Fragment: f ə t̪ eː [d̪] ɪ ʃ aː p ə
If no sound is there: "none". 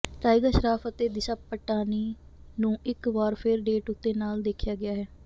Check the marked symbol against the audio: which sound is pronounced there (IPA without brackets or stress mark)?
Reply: d̪